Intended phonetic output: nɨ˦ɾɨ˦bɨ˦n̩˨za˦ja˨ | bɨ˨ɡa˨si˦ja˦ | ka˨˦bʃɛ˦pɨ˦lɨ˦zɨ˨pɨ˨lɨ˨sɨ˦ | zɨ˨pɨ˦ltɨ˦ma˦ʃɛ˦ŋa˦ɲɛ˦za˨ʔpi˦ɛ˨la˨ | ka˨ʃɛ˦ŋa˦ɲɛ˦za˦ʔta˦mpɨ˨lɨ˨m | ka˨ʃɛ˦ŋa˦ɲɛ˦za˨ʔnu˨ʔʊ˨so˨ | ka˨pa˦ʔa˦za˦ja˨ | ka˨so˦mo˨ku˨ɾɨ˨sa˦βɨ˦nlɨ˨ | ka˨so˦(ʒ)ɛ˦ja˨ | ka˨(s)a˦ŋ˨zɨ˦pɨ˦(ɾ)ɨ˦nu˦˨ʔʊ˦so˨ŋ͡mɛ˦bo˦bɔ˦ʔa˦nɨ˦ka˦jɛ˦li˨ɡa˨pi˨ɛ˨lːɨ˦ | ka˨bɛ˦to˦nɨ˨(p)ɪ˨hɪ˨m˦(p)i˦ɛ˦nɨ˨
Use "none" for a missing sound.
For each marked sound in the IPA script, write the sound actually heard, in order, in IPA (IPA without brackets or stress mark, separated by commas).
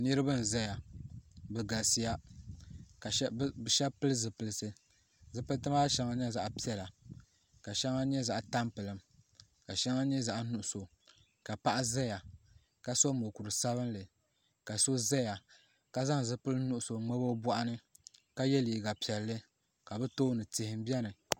z, z, l, t, b